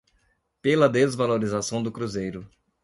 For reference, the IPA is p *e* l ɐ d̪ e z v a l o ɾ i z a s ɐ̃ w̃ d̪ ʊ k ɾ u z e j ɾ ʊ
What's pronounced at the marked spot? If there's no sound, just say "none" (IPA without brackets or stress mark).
e